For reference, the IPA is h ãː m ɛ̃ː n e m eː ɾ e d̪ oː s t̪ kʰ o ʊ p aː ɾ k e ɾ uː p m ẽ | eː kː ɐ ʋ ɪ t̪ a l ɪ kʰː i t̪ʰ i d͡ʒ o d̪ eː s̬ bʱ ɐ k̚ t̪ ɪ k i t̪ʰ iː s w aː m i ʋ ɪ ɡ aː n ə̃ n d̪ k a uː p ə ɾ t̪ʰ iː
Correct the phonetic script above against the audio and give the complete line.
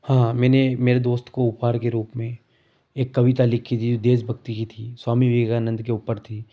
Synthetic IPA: h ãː m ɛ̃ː n e m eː ɾ e d̪ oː s t̪ k o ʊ p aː ɾ k e ɾ uː p m ẽ | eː kː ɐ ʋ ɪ t̪ a l ɪ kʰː i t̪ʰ i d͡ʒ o d̪ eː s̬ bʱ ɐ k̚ t̪ i k i t̪ʰ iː s w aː m i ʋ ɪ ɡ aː n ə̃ n d̪ k e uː p ə ɾ t̪ʰ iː